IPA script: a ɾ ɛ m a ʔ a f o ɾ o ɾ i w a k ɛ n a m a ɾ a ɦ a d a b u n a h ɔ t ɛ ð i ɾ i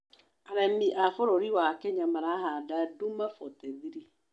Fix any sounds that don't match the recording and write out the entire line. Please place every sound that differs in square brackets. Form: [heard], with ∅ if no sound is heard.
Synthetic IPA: a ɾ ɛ m [i] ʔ a f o ɾ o ɾ i w a k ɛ [ɲ] a m a ɾ a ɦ a d a [d] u [m] a [f] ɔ t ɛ ð i ɾ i